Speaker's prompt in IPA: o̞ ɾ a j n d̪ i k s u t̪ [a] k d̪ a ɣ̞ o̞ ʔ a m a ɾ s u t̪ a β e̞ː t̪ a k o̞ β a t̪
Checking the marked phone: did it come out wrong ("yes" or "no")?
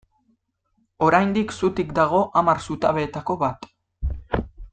yes